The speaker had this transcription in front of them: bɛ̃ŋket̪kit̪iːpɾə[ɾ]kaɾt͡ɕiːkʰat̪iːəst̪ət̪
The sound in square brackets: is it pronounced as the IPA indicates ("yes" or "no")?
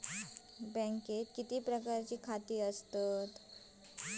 no